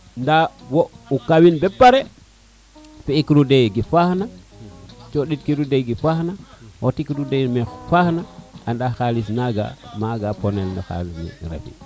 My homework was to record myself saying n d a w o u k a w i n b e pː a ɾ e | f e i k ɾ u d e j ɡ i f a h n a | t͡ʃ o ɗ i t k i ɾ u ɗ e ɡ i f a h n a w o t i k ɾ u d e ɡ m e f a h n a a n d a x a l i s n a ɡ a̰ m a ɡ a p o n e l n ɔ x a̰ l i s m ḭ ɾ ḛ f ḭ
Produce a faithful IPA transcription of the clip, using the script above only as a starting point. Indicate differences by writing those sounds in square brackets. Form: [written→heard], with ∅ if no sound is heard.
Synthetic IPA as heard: n d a w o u k a w i n b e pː a ɾ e | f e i k ɾ u d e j ɡ i f a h n a | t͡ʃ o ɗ i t k i ɾ u [ɗ→d] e ɡ i f a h n a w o t i k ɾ u d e [ɡ→∅] m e f a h n a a n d a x a l i s n a ɡ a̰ m a ɡ a p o n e l n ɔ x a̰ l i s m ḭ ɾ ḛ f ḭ